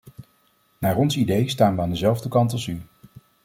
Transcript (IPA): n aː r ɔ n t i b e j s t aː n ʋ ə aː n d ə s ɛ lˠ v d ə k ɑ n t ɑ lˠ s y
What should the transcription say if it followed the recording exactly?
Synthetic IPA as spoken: n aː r ɔ n s i d e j s t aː n ʋ ə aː n d ə z ɛ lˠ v d ə k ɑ n t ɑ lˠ s y